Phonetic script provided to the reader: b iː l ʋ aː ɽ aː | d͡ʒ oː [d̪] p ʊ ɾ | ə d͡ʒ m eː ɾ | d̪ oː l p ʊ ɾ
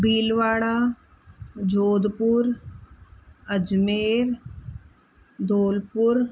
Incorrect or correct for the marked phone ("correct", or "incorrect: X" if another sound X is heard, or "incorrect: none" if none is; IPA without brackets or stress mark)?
correct